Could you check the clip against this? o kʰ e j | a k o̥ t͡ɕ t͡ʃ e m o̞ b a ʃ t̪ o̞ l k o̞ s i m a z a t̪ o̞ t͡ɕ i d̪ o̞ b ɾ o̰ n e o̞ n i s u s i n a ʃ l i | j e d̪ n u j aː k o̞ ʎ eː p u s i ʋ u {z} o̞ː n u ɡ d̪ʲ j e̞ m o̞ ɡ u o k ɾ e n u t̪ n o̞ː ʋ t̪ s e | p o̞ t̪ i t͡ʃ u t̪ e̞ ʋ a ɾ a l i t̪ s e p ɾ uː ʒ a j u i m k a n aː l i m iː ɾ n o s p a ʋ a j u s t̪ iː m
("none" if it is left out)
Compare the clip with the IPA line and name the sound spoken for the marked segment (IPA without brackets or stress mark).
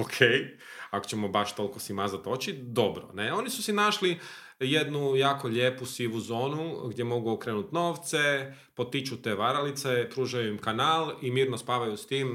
z